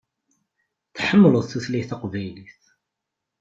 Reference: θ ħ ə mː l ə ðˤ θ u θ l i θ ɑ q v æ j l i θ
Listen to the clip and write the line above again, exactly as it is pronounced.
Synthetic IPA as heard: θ ħ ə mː l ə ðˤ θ u θ l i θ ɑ q v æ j l i θ